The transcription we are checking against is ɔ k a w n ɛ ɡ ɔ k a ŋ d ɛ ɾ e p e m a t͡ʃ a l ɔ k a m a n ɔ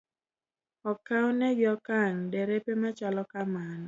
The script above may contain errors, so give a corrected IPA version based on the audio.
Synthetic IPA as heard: ɔ k a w n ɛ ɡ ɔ k a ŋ d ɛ ɾ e p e m a t͡ʃ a l ɔ k a m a n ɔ